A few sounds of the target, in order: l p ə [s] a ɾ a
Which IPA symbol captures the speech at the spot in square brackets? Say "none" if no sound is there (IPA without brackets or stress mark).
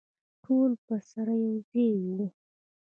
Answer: s